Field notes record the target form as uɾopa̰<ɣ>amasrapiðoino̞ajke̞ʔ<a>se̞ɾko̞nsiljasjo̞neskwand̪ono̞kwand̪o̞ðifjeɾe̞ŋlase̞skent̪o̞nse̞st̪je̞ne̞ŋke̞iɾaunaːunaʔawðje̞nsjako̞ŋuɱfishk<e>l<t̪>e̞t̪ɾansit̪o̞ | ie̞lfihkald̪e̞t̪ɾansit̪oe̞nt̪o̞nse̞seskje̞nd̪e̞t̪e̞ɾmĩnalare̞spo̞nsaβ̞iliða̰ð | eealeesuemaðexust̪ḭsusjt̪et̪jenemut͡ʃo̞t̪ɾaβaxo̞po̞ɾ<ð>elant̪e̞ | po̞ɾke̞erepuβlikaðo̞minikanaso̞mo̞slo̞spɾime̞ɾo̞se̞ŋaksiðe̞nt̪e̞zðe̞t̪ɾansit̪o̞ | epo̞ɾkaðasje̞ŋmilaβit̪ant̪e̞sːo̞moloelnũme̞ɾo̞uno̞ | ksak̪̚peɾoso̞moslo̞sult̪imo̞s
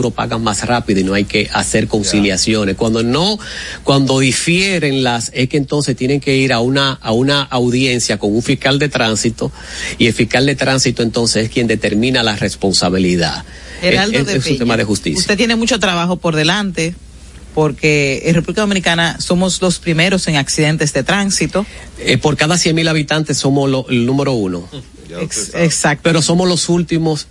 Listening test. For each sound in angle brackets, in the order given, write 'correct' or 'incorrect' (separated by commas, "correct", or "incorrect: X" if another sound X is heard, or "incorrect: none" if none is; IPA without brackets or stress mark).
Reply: correct, correct, incorrect: a, incorrect: d̪, correct